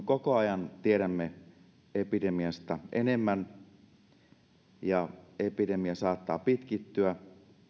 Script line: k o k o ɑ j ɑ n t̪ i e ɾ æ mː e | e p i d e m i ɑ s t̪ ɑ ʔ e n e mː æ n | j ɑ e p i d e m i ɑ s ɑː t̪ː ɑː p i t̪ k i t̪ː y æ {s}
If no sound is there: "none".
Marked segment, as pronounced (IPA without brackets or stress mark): none